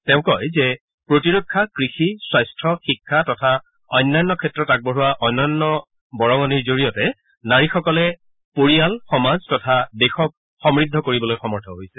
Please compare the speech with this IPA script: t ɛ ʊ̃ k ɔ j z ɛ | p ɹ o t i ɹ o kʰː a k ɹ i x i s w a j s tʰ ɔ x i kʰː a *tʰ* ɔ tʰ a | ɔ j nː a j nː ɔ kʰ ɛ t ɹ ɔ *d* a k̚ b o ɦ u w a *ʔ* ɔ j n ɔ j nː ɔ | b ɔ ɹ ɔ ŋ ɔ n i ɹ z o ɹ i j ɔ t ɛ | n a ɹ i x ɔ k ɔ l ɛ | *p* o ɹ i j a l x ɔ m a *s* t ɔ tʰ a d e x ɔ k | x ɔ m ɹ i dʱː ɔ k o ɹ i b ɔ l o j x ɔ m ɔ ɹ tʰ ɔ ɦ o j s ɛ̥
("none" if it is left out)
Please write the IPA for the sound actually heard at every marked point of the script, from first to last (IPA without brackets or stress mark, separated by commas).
t, t, ʔ, p, z